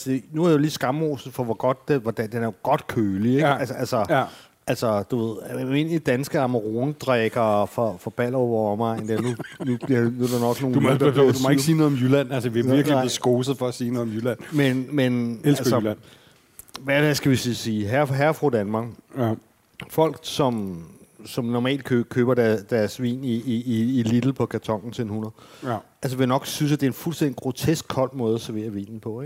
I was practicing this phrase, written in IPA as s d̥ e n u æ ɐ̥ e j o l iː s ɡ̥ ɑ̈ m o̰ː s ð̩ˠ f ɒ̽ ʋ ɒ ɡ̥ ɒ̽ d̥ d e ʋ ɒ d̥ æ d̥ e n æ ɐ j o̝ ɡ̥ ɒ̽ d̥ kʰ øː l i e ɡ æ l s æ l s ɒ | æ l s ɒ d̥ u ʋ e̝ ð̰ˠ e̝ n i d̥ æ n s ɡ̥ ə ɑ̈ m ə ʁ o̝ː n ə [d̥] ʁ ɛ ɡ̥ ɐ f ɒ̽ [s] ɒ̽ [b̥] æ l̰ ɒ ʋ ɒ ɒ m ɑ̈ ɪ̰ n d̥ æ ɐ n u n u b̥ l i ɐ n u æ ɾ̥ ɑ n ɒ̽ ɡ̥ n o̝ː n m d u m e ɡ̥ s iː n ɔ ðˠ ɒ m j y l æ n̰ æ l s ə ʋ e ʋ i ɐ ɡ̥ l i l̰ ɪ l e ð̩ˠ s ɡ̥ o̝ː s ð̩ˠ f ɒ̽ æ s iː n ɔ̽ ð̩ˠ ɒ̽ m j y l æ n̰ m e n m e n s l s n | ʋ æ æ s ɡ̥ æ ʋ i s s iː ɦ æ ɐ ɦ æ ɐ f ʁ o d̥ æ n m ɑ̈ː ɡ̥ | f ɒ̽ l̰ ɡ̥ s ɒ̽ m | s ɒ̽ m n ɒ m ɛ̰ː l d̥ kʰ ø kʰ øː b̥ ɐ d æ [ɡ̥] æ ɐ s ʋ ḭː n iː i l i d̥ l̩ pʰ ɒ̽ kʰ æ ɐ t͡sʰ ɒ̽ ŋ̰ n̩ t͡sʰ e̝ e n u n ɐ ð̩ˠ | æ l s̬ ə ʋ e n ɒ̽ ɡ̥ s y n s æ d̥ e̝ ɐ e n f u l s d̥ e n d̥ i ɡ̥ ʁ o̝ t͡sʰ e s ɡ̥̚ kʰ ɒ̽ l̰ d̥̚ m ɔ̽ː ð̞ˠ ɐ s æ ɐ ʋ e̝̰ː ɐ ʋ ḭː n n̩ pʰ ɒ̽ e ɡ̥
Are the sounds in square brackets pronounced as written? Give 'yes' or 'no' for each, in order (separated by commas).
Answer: yes, no, yes, no